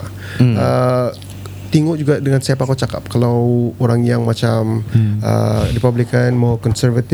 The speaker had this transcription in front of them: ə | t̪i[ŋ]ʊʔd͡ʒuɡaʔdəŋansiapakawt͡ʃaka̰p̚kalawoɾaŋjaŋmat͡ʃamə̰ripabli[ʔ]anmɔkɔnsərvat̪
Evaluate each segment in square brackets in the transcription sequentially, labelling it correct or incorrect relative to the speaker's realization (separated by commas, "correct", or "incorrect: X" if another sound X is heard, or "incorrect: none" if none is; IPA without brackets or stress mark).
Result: correct, incorrect: k